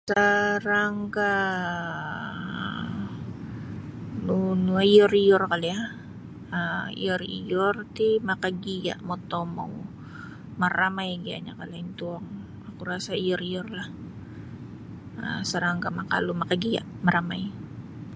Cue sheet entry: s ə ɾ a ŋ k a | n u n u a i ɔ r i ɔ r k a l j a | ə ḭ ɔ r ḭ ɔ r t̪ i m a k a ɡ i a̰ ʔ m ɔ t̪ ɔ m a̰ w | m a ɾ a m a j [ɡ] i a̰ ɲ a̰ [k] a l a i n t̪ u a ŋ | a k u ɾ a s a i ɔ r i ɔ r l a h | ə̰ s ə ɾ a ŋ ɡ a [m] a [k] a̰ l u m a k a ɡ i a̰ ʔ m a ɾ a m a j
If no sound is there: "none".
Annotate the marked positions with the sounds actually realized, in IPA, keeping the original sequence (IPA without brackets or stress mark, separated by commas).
ɡ, k, m, k